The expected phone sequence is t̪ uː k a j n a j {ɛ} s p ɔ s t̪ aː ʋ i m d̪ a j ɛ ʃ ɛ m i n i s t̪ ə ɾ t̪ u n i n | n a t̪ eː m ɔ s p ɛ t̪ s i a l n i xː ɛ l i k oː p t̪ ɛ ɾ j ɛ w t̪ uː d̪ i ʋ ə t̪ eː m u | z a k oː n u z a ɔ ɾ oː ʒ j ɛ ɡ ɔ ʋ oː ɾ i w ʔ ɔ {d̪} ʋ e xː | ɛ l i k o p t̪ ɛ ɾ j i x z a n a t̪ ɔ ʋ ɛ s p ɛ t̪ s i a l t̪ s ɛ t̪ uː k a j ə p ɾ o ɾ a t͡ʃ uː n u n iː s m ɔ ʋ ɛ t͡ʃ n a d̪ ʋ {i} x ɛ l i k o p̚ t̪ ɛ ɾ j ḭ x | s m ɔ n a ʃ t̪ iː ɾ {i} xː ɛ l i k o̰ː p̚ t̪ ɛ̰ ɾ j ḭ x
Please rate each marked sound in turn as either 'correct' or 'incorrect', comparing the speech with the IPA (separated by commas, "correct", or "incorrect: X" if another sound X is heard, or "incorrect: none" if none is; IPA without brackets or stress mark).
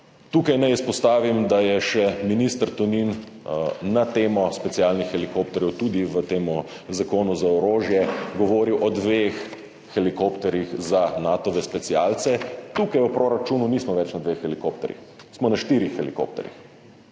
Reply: incorrect: i, correct, incorrect: e, correct